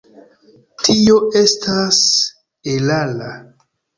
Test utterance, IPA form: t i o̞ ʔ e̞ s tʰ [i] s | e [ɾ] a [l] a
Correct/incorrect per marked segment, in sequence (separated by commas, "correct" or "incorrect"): incorrect, incorrect, correct